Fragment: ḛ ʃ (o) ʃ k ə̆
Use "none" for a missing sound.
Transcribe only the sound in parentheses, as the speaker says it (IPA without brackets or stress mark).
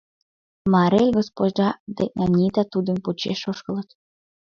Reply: o